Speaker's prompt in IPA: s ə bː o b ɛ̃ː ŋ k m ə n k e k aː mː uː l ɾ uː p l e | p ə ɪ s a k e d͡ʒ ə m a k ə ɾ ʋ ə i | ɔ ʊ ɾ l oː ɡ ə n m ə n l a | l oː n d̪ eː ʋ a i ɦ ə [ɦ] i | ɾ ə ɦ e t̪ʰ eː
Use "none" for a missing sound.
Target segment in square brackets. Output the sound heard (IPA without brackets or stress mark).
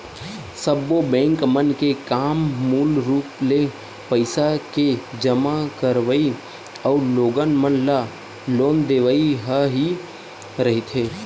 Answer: ɦ